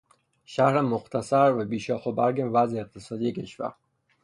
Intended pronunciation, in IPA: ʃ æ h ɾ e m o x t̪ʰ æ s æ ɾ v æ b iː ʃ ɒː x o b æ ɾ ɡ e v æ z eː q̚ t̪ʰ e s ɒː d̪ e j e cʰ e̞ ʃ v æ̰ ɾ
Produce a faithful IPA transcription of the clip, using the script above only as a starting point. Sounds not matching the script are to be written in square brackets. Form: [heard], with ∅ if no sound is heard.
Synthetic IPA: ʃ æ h ɾ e m o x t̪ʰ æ s æ ɾ v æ b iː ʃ ɒː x o b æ ɾ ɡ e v æ z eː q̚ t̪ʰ e s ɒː d̪ [i] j e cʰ e̞ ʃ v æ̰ ɾ